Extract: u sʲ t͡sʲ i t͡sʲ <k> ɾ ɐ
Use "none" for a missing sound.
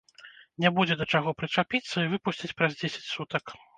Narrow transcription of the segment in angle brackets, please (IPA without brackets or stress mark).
p